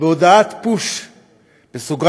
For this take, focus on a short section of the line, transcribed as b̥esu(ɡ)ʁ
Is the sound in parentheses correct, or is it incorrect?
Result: correct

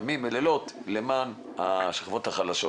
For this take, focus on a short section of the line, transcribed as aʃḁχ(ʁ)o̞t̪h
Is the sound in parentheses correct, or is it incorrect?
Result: incorrect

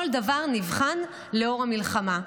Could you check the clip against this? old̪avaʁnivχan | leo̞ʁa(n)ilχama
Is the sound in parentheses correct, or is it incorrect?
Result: incorrect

